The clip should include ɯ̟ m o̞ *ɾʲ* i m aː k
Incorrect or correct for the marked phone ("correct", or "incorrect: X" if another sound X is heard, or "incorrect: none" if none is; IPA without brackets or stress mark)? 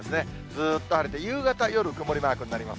correct